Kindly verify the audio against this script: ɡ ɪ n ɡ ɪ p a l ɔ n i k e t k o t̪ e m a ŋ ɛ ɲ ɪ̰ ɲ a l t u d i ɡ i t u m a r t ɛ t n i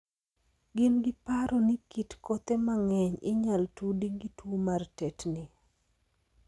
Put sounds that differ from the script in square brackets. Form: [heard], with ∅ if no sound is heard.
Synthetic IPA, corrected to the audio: ɡ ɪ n ɡ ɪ p a [ɾ] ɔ n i k [i] t k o t̪ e m a ŋ ɛ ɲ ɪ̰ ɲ a l t u d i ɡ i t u m a r t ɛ t n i